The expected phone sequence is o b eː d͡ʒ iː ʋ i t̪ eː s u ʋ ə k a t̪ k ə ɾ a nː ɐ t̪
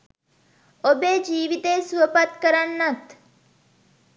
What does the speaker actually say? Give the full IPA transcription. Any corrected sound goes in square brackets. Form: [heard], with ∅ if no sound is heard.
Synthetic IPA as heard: o b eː d͡ʒ iː ʋ i t̪ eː s u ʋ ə [p] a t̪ k ə ɾ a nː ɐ t̪

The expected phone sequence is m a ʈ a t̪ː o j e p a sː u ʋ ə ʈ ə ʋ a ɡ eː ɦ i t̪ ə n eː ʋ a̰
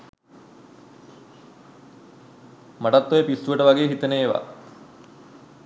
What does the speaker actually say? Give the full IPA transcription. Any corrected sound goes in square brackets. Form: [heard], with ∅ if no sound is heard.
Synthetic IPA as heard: m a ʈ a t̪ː o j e p [i] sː u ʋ ə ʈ ə ʋ a ɡ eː ɦ i t̪ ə n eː ʋ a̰

